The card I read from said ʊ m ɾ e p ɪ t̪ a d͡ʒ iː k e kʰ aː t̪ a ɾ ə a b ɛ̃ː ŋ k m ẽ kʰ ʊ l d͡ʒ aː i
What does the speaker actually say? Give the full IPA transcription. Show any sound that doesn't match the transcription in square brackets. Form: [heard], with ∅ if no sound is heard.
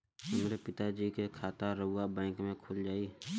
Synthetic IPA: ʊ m ɾ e p ɪ t̪ a d͡ʒ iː k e kʰ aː t̪ a ɾ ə a b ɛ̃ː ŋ k m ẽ kʰ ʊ l d͡ʒ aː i